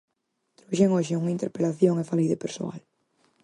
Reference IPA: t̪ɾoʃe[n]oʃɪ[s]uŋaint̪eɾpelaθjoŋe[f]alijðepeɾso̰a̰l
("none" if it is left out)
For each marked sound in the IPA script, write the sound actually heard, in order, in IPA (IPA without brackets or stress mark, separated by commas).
ŋ, none, f